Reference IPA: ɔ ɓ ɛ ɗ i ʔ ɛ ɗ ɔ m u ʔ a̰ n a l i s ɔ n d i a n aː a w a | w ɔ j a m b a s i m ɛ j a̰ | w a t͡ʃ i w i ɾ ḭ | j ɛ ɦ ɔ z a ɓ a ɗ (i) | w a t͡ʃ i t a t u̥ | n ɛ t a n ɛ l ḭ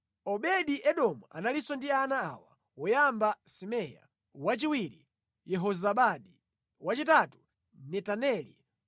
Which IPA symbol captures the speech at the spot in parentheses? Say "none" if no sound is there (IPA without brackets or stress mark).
i